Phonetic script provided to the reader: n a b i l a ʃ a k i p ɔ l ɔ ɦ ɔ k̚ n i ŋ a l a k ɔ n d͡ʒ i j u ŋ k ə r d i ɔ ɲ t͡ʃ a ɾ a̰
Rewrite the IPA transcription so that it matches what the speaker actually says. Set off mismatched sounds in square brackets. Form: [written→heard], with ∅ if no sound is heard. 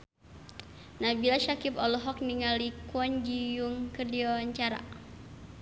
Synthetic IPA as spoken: n a b i l a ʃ a k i p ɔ l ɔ ɦ ɔ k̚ n i ŋ a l [a→i] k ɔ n d͡ʒ i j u ŋ k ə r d i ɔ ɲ t͡ʃ a ɾ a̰